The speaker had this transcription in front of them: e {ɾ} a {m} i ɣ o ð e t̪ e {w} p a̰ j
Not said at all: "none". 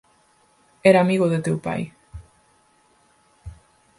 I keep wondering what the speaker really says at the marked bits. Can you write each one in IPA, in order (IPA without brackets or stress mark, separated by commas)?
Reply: ɾ, m, w